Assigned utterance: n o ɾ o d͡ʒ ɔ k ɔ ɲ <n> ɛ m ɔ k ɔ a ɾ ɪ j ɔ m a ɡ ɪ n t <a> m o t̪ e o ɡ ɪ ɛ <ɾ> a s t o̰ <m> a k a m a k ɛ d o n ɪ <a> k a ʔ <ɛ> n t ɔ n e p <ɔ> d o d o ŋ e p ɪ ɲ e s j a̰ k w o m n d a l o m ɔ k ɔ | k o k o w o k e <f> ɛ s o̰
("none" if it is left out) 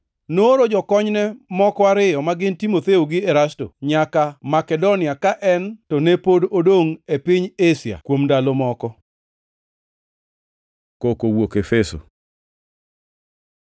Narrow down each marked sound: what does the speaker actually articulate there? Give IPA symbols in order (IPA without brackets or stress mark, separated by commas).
n, i, ɾ, ɲ, a, ɛ, o, f